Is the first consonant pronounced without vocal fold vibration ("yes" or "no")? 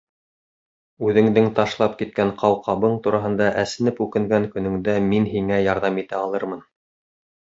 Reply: no